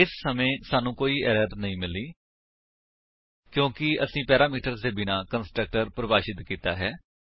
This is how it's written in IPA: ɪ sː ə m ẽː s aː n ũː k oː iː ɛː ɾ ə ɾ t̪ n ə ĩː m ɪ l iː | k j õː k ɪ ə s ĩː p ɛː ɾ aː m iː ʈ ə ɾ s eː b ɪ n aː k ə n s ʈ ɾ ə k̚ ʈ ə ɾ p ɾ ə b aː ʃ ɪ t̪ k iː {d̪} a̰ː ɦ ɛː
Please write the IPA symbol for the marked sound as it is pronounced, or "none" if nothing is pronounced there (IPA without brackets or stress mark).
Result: t̪